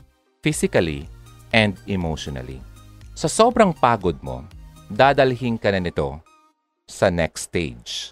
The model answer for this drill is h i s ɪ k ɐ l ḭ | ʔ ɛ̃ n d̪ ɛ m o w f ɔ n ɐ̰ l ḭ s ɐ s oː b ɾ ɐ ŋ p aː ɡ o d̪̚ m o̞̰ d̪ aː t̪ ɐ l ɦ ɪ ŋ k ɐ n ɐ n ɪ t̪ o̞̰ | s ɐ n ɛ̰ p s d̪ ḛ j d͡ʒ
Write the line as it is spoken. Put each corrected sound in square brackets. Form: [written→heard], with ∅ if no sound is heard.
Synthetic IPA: [h→f] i s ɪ k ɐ l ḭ | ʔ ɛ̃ n d̪ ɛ m o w [f→ʃ] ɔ n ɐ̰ l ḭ s ɐ s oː b ɾ ɐ ŋ p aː ɡ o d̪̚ m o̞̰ d̪ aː [t̪→d̪] ɐ l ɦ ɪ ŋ k ɐ n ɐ n ɪ t̪ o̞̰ | s ɐ n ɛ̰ [p→k] s [d̪→t̪] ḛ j d͡ʒ